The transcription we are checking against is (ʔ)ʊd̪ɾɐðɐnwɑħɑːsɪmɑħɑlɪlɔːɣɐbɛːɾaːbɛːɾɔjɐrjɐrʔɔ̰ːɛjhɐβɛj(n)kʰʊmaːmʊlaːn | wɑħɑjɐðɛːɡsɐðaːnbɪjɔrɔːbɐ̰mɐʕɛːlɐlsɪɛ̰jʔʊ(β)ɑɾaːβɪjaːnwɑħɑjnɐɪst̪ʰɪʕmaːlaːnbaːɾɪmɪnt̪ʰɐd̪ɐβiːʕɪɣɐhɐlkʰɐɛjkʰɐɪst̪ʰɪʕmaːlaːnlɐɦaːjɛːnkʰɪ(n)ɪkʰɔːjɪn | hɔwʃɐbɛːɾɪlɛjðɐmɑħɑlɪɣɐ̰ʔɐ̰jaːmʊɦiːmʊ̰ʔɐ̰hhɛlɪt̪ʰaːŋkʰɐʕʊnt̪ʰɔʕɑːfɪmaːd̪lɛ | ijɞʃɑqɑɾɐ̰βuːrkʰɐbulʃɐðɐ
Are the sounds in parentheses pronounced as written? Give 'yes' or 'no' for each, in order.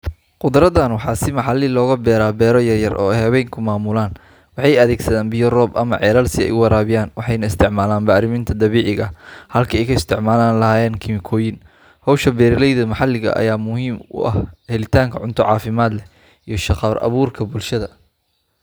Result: no, no, no, no

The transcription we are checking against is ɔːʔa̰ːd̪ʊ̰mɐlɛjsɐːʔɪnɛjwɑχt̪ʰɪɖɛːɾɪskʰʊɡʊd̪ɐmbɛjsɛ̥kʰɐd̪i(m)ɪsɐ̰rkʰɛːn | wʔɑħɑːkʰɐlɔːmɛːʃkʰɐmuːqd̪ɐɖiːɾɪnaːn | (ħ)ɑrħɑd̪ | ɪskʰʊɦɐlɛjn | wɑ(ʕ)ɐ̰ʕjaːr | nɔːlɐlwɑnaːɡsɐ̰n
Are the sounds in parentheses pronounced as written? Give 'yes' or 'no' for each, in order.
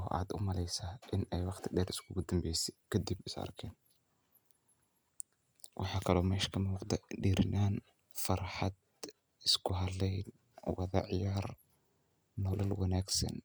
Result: no, no, no

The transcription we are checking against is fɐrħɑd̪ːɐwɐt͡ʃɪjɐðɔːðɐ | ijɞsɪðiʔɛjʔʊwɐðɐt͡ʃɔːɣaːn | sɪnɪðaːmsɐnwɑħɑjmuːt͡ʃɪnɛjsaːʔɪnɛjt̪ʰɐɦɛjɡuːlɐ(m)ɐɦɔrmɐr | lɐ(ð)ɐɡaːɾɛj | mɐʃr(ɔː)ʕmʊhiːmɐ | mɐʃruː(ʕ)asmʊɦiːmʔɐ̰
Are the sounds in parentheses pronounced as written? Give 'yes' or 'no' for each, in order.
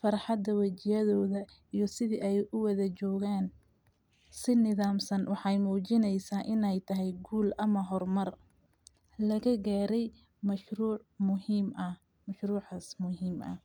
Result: yes, no, no, yes

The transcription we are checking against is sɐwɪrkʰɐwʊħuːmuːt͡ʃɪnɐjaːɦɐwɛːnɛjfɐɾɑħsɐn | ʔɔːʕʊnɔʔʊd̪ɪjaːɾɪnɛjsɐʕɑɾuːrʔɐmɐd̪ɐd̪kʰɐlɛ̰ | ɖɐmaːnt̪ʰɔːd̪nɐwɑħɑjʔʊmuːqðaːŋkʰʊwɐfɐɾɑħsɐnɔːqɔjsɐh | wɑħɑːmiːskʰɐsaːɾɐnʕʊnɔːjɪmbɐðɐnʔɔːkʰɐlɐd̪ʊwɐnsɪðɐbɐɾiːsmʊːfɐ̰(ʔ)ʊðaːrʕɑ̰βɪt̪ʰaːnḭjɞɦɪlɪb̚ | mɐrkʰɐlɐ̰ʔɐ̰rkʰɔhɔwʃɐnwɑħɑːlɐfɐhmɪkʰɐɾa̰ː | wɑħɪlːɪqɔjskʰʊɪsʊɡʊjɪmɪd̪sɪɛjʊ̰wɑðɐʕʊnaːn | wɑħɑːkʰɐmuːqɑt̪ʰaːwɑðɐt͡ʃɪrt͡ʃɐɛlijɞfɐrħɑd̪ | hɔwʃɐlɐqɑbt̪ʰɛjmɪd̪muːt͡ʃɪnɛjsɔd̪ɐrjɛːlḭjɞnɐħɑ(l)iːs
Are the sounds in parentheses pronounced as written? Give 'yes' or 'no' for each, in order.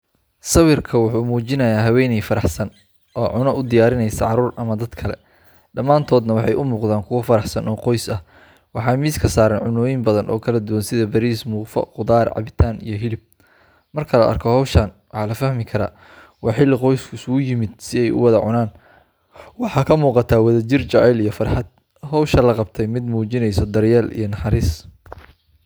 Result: no, no

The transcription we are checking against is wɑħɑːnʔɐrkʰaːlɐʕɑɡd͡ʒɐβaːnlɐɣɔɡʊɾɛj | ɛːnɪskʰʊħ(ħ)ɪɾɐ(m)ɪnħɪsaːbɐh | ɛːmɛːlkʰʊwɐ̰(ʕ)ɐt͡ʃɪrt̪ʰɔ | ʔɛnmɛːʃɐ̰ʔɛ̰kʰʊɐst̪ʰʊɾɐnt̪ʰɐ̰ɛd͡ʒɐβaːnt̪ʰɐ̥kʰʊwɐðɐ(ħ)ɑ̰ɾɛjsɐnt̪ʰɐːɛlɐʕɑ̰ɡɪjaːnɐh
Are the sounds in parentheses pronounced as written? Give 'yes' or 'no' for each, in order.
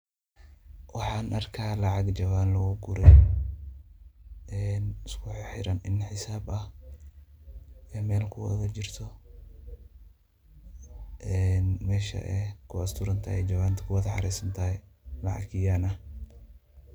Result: yes, no, no, yes

